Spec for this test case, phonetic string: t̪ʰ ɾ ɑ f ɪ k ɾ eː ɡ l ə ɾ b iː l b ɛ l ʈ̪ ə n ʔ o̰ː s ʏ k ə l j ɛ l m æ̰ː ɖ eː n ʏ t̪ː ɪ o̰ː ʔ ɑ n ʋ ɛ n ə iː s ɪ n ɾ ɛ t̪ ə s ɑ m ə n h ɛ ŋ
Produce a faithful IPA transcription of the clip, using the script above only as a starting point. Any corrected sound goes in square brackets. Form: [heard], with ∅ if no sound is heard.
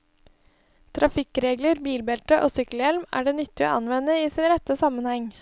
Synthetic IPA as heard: t̪ʰ ɾ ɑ f ɪ k ɾ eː ɡ l ə ɾ b iː l b ɛ l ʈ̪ ə [∅] ʔ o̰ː s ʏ k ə l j ɛ l m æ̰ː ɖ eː n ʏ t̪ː ɪ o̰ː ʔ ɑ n ʋ ɛ n ə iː s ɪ n ɾ ɛ t̪ ə s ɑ m ə n h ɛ ŋ